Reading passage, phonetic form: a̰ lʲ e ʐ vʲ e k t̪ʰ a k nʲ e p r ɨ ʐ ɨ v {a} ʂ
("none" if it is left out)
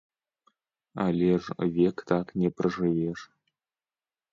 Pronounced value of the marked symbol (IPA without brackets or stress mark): e